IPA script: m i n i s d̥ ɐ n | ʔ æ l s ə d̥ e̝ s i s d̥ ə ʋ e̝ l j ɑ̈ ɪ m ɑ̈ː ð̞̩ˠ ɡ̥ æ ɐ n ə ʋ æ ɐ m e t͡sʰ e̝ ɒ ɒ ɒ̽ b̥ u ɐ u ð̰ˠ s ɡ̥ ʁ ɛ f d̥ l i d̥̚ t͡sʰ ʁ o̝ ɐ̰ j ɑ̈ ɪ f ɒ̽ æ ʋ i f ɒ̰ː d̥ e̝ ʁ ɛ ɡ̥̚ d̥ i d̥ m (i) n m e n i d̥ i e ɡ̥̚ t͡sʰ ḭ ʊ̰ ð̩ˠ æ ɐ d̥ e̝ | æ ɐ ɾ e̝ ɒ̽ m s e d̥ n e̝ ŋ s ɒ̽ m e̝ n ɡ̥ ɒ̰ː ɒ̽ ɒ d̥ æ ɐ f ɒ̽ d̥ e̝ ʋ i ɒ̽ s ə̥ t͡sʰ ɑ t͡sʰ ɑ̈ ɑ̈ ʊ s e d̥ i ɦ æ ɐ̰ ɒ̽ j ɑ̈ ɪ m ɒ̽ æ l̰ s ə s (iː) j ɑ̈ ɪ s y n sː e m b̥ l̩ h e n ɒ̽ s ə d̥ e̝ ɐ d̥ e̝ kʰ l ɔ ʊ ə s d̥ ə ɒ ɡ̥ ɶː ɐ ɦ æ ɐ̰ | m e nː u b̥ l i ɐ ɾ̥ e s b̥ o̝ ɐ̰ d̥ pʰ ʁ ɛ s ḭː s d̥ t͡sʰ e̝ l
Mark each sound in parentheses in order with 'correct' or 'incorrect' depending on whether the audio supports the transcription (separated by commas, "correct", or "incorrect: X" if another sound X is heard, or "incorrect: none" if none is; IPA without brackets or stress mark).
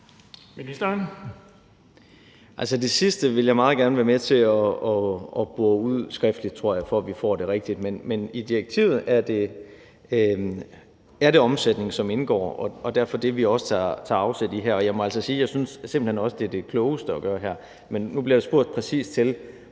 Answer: incorrect: e, correct